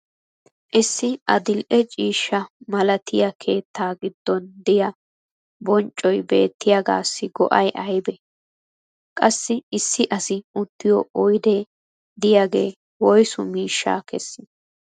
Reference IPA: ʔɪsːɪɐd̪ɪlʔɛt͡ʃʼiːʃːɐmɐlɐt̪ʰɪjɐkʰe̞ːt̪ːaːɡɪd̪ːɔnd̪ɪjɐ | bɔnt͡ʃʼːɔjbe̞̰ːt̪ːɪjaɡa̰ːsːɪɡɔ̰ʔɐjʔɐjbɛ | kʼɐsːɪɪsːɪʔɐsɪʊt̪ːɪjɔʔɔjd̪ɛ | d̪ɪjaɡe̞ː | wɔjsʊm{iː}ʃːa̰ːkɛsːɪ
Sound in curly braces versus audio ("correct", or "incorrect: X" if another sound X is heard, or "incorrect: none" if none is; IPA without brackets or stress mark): correct